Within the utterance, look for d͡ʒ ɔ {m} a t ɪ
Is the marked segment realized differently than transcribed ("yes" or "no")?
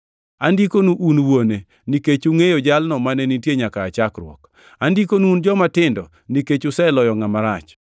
no